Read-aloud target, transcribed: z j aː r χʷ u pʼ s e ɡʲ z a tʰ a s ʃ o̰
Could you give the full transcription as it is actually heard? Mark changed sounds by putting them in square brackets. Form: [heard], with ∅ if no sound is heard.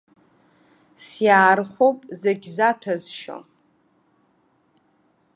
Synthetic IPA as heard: [s] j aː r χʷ [o] pʼ [z] e ɡʲ z a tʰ a [z] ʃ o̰